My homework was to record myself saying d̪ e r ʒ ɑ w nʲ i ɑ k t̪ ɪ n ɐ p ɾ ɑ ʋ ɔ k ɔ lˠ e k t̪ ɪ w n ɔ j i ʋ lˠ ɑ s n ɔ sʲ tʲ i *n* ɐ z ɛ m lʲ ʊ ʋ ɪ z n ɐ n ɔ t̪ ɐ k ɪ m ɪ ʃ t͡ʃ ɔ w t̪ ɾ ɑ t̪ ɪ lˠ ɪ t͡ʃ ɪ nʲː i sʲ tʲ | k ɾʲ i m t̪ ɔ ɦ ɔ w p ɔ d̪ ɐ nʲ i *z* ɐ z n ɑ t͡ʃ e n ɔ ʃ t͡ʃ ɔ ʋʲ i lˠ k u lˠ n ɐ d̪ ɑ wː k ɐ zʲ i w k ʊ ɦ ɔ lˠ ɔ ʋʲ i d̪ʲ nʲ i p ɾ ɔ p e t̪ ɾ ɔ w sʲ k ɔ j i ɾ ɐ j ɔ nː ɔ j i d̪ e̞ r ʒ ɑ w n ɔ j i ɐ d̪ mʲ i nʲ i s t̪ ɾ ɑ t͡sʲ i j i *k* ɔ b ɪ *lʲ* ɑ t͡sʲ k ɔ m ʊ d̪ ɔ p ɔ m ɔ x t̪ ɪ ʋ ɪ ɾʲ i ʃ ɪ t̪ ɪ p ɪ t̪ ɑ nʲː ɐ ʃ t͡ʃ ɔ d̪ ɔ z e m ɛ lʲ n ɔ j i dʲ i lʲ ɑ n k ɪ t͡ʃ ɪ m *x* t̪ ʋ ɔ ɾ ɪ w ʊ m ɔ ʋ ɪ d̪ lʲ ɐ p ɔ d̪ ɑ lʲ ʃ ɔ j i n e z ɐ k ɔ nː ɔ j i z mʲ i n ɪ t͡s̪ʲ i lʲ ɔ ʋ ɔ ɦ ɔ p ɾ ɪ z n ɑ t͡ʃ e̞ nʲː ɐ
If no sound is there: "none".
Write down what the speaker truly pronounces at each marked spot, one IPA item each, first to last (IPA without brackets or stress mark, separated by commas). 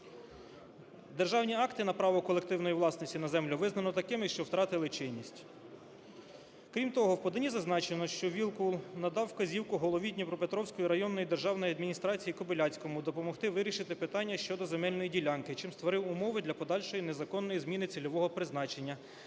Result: n, z, k, lʲ, s